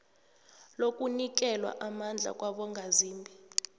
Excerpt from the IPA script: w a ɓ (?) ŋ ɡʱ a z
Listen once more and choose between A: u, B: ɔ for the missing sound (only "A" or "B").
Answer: B